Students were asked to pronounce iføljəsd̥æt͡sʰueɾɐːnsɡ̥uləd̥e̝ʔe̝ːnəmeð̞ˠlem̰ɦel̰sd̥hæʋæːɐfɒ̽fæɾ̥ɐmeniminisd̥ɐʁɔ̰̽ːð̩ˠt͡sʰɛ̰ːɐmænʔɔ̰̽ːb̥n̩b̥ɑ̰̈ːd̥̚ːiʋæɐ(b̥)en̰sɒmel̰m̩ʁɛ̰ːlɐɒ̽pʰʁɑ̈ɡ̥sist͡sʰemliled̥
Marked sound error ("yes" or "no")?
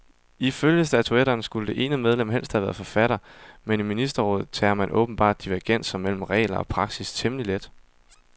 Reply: yes